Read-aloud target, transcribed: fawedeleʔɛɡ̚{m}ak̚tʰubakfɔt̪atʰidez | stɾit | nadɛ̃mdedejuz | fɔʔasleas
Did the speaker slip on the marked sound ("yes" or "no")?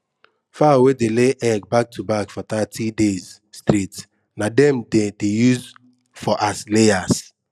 yes